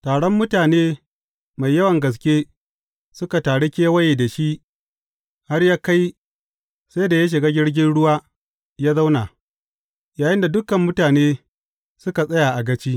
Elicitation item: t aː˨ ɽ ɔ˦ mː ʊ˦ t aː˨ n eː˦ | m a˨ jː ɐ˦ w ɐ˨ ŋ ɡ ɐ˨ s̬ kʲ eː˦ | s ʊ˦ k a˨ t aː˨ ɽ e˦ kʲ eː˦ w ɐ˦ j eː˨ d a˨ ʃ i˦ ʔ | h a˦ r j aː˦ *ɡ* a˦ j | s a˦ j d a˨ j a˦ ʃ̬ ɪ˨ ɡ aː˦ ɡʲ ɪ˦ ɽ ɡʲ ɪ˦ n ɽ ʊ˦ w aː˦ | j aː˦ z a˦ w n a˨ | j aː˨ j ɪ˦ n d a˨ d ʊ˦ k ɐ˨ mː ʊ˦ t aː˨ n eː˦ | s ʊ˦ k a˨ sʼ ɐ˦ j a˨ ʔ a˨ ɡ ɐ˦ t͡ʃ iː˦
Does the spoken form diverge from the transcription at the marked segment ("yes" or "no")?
yes